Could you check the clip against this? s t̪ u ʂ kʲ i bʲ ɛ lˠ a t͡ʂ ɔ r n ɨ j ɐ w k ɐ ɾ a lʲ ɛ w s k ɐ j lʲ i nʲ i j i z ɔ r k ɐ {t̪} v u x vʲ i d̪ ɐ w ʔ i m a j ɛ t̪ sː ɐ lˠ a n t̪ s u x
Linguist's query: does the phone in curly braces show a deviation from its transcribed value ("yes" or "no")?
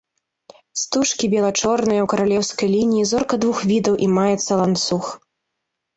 yes